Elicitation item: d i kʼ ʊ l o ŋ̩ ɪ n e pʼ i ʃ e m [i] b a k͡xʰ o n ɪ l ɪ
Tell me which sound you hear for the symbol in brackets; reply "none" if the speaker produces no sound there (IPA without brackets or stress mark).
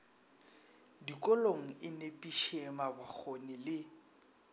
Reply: a